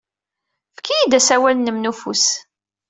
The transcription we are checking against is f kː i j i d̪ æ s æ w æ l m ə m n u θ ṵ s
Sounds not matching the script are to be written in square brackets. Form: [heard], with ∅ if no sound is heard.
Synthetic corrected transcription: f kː i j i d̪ æ s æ w æ l [n] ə m n u [f] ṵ s